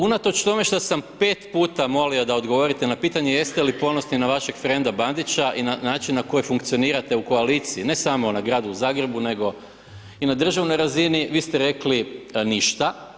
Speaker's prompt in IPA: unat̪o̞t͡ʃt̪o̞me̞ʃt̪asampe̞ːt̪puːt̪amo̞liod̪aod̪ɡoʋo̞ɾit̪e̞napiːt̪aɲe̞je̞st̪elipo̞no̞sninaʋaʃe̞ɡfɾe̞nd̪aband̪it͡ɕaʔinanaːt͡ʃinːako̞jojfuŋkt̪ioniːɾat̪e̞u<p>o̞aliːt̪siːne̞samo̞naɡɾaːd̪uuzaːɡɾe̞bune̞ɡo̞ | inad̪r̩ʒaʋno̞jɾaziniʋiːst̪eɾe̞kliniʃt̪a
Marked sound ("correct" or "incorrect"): incorrect